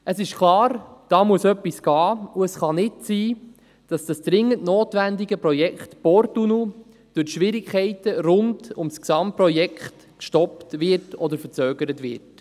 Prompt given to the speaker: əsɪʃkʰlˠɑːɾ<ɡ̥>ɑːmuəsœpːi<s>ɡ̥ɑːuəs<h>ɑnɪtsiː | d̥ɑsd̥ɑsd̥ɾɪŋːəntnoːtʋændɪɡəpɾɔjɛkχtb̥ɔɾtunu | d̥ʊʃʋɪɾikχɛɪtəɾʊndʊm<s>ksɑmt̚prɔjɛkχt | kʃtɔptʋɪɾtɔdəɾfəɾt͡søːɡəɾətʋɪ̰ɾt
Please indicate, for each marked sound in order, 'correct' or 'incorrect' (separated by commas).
incorrect, correct, incorrect, correct